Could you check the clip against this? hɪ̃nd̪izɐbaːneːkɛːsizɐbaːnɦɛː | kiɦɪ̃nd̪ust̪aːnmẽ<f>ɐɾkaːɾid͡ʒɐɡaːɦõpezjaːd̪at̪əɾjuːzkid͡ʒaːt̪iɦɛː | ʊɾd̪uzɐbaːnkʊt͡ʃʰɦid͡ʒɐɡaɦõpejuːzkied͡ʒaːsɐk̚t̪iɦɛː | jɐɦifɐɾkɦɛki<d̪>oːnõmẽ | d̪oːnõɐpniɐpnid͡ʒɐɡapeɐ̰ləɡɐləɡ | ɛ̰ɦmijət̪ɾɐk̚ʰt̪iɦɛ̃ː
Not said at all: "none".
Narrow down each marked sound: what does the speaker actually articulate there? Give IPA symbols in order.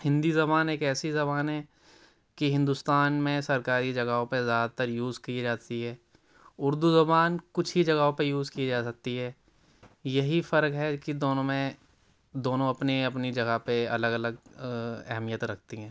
s, d̪

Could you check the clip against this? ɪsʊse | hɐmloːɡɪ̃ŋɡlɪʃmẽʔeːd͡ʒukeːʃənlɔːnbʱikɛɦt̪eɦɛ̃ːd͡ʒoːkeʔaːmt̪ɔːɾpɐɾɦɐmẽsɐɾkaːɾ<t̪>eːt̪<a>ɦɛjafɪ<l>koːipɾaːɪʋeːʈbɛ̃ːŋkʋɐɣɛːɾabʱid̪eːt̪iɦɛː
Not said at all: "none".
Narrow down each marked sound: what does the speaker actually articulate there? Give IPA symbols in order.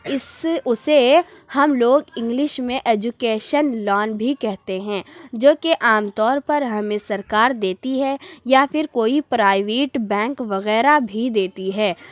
d̪, i, ɾ

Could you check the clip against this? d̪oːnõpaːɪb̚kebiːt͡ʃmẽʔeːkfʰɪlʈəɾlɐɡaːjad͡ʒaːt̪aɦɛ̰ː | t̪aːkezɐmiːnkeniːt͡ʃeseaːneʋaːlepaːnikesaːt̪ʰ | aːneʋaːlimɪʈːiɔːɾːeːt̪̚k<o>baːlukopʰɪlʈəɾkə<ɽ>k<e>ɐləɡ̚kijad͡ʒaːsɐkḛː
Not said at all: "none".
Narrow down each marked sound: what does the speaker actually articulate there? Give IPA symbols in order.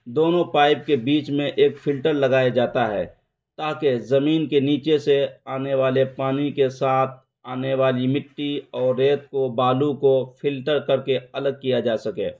o, ɾ, e

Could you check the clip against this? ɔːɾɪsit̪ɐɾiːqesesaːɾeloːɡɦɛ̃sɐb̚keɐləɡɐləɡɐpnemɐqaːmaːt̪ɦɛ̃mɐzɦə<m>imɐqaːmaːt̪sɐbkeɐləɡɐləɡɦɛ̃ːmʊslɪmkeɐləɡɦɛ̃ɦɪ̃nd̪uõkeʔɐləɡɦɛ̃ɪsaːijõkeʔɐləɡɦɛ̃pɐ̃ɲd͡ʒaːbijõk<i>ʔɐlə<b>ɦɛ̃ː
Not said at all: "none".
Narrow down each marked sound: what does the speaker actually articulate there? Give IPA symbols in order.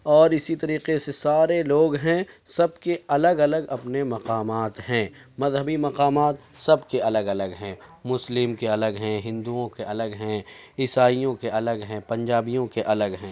b, e, ɡ

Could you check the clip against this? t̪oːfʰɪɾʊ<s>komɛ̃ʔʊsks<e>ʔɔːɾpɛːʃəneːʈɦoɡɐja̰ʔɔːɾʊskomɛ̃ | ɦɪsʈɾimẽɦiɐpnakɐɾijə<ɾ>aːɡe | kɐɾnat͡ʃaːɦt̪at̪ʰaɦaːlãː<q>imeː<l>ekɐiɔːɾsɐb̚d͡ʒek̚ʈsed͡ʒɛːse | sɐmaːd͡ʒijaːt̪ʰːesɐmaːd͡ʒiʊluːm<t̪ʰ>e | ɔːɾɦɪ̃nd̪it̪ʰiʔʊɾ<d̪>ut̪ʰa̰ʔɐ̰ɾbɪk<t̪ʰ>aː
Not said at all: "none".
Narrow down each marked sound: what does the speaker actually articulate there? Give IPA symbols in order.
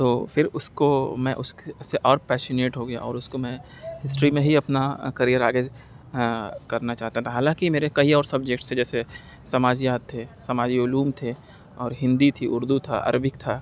s, e, ɾ, k, ɾ, t̪ʰ, d̪, t̪ʰ

